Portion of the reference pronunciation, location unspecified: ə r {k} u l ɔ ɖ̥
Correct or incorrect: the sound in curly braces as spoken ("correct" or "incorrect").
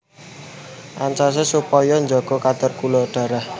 correct